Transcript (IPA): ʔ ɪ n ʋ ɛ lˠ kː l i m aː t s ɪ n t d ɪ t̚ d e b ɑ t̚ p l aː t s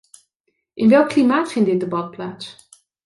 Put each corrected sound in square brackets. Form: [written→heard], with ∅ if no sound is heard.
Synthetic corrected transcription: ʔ ɪ n ʋ ɛ lˠ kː l i m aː t [s→f] ɪ n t d ɪ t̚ d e b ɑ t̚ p l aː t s